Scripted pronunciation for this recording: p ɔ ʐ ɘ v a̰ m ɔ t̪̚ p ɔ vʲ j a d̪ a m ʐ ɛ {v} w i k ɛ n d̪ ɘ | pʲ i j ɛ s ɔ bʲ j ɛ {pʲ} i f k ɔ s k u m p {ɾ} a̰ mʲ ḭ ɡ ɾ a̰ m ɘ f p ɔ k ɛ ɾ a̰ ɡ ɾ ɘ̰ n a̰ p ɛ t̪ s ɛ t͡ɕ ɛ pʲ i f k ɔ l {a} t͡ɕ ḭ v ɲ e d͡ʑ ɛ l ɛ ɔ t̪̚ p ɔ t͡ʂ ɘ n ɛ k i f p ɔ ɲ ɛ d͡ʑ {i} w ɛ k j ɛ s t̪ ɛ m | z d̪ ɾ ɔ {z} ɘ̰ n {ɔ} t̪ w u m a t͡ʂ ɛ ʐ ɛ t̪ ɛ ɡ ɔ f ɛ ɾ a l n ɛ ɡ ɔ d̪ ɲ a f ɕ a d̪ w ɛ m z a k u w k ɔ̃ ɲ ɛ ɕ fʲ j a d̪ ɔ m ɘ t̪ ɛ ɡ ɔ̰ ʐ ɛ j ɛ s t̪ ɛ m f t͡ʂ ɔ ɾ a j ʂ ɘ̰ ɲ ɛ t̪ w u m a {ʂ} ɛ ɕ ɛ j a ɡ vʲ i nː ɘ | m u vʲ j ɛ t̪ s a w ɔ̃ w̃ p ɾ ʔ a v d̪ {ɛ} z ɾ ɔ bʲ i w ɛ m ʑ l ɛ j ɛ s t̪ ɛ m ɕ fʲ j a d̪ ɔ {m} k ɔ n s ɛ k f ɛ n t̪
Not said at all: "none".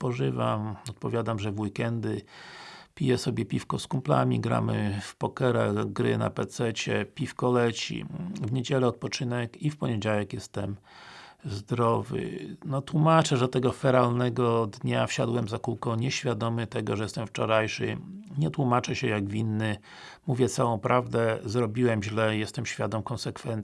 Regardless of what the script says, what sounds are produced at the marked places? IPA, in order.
v, pʲ, l, ɛ, a, v, ɔ, t͡ʂ, ɛ, m

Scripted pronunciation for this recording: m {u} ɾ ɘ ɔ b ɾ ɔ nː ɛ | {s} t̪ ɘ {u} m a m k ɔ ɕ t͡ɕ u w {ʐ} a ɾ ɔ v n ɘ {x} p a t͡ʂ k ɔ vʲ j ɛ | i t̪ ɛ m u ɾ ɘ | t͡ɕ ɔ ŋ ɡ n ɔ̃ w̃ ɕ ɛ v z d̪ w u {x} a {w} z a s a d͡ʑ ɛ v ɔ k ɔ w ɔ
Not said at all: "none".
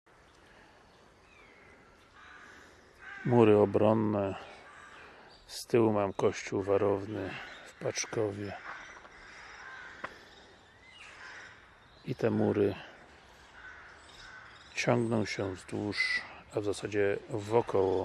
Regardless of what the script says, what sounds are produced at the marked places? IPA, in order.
u, s, w, v, f, ʂ, v

